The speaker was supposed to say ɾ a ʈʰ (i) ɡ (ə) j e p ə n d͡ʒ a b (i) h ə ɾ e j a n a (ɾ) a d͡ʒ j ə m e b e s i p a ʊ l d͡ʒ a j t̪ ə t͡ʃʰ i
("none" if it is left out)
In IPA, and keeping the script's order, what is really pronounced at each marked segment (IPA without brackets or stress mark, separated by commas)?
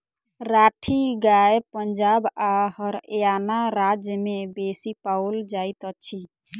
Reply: i, a, a, ɾ